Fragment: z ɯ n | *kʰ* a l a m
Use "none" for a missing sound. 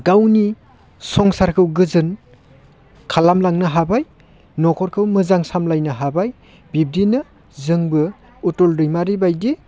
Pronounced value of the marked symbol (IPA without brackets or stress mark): kʰ